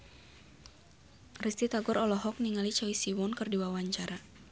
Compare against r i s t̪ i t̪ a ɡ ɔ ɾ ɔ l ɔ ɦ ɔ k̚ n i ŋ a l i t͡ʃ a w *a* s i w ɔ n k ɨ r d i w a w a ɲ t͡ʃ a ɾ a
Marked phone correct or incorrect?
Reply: incorrect